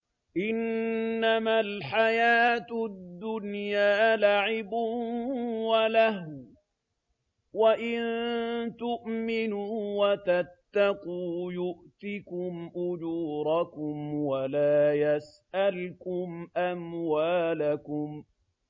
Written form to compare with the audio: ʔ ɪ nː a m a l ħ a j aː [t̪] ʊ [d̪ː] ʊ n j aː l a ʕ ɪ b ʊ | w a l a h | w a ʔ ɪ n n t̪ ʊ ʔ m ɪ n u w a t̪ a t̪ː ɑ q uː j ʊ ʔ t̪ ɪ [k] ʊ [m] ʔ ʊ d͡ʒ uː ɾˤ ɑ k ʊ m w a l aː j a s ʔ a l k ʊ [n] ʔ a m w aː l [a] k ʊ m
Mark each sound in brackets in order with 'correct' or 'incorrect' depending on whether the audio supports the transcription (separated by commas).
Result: correct, correct, correct, correct, incorrect, correct